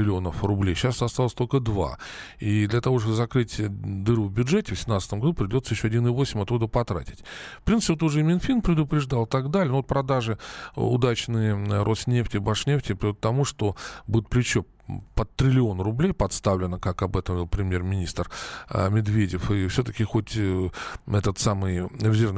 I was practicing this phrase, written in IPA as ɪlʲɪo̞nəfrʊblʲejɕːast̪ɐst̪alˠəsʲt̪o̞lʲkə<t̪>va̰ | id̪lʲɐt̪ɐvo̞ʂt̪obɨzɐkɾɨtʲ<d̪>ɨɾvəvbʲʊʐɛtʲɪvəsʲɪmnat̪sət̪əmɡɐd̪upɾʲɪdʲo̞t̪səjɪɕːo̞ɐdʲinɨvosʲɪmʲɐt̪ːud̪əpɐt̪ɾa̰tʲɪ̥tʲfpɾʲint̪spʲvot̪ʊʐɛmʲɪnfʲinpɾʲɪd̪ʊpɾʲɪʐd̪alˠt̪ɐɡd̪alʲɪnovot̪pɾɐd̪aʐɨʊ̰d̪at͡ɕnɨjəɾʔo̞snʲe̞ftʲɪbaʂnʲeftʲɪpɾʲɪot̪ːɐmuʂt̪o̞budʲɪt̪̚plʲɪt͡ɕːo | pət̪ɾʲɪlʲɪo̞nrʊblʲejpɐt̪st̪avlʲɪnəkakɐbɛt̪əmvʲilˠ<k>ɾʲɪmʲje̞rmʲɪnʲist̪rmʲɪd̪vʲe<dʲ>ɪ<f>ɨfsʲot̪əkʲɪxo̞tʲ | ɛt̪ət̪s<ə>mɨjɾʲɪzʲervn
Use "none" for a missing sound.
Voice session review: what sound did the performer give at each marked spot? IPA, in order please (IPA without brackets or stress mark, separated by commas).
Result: d̪, d̪, p, dʲ, f, a